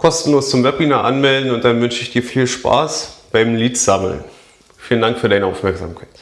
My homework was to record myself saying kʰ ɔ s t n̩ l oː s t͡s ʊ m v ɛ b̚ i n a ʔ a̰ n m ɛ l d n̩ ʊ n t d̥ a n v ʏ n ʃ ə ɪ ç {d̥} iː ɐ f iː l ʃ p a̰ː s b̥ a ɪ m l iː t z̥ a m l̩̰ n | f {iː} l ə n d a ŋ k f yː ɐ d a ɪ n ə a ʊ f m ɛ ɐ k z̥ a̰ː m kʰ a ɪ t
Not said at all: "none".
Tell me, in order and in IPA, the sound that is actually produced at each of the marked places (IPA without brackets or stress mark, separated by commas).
d̥, iː